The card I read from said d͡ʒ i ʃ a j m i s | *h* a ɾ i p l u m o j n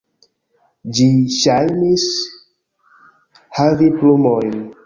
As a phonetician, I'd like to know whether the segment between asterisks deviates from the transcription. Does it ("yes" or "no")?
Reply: no